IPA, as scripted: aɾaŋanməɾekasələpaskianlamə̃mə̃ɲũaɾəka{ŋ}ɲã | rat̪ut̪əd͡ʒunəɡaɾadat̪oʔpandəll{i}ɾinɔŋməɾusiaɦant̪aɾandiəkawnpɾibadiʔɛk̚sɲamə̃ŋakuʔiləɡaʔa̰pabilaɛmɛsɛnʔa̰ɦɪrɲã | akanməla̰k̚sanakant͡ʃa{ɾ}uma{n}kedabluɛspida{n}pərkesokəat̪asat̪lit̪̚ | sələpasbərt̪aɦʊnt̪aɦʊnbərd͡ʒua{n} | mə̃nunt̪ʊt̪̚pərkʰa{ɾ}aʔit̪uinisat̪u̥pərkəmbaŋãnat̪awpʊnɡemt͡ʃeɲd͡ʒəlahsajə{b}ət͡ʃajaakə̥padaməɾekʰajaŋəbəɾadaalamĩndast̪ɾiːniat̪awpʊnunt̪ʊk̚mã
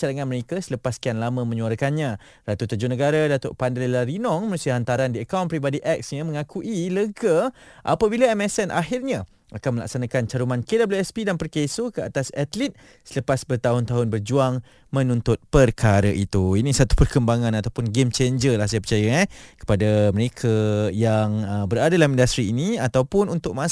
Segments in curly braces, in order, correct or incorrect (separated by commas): incorrect, incorrect, correct, correct, correct, incorrect, correct, incorrect